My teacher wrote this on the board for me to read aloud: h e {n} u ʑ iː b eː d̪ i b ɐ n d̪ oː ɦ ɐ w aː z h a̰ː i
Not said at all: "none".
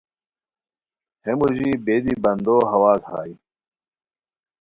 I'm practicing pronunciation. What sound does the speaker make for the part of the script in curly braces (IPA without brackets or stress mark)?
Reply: m